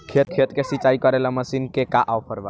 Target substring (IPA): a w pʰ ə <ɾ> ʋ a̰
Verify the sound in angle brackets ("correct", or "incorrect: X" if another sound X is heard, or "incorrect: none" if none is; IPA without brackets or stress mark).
correct